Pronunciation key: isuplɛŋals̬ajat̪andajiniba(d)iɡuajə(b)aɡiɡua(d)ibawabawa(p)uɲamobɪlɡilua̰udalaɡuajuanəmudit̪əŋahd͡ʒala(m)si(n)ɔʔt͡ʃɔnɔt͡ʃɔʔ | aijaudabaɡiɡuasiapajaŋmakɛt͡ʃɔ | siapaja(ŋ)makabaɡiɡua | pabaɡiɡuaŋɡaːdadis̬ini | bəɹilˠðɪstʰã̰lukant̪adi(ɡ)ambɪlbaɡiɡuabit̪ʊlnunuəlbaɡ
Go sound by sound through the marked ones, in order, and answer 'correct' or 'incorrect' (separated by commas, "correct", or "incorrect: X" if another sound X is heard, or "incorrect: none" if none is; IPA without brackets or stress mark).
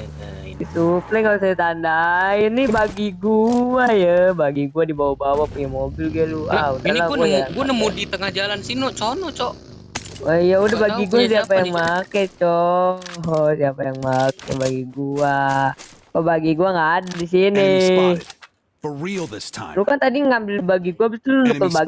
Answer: incorrect: ɡ, correct, correct, correct, incorrect: n, correct, correct, incorrect: ŋ